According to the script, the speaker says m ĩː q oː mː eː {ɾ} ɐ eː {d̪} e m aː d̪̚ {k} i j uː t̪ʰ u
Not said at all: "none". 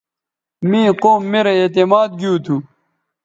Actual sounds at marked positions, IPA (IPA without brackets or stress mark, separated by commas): ɾ, t̪, ɡ